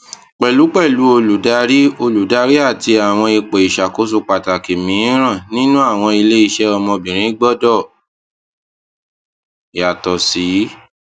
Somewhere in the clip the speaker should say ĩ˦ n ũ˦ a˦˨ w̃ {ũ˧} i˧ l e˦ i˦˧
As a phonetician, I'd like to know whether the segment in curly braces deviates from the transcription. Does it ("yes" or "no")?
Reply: yes